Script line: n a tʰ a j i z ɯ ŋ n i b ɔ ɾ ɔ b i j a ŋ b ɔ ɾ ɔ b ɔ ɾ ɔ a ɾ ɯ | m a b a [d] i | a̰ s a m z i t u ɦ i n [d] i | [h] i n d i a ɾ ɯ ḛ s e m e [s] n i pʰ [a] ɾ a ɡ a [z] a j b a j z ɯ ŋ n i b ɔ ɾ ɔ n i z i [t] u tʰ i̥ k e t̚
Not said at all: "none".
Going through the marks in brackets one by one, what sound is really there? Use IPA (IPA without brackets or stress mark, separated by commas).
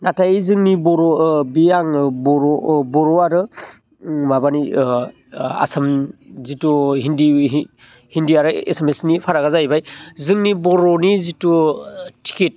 n, d, h, s, a, z, t